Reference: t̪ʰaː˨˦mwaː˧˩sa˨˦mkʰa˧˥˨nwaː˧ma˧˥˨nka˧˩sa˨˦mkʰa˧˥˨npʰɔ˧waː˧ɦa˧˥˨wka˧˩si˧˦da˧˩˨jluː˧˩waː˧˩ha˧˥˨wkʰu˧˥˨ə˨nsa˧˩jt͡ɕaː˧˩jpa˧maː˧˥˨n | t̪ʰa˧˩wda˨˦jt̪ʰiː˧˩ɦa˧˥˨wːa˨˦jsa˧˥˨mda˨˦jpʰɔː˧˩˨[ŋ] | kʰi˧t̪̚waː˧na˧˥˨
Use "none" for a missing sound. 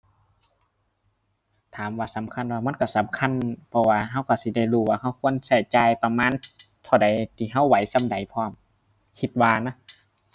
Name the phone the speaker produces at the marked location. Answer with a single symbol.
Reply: m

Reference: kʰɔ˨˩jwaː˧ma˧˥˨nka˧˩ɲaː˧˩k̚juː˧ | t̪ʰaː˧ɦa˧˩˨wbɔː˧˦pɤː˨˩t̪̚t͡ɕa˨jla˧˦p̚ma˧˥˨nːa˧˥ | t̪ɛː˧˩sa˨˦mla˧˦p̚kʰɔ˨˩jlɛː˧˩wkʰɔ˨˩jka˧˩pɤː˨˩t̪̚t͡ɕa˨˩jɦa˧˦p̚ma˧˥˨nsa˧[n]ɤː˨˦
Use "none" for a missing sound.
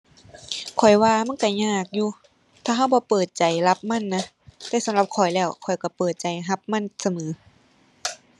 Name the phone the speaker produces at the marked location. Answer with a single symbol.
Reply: m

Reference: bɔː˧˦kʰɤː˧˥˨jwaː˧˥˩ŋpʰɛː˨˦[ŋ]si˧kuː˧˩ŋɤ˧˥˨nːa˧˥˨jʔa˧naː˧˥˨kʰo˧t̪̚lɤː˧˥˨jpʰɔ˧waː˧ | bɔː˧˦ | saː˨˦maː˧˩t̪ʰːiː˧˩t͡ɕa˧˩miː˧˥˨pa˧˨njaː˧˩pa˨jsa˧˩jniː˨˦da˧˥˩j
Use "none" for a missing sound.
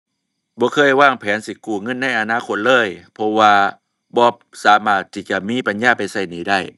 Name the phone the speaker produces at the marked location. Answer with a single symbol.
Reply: n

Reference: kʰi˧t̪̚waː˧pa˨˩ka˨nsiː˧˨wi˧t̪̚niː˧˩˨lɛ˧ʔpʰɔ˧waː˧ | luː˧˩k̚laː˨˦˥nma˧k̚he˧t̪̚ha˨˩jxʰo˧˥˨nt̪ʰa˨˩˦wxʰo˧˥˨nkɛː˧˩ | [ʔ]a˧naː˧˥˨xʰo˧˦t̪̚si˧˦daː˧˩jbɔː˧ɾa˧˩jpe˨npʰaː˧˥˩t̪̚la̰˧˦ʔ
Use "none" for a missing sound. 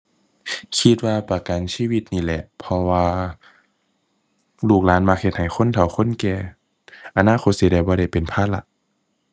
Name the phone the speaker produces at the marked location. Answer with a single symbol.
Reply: ʔ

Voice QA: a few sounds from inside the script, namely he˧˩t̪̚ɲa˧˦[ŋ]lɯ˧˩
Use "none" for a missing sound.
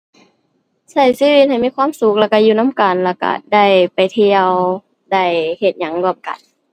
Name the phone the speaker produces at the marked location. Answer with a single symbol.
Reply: ŋ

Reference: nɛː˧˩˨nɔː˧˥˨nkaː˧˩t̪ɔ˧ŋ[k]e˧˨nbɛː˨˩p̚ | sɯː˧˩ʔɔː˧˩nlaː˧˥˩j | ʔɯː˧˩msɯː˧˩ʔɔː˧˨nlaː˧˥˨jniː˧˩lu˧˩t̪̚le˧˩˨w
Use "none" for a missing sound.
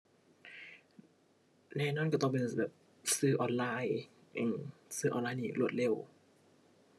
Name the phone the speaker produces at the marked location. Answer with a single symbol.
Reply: p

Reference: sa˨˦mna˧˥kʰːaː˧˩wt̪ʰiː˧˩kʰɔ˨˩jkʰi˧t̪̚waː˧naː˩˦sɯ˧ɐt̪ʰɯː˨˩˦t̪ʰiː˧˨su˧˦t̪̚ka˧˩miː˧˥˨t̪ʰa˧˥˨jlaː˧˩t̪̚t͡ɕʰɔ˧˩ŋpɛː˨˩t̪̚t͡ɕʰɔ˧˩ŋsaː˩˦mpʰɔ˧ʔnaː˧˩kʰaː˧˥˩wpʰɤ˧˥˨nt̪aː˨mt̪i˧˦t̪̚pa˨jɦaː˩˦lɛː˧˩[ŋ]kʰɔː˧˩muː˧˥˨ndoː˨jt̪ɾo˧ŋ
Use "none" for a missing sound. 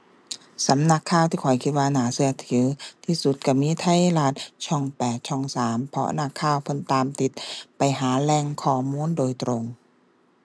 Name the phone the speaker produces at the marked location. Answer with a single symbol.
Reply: ŋ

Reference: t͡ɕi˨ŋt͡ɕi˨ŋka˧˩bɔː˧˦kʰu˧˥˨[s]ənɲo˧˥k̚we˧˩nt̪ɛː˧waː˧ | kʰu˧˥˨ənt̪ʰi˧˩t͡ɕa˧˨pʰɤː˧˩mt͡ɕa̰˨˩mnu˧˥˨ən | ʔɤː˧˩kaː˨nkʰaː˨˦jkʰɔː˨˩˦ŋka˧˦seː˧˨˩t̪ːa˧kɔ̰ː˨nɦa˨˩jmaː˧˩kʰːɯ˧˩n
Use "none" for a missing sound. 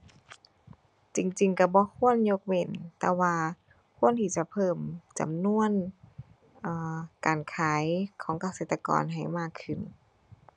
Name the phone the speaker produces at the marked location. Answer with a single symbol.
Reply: none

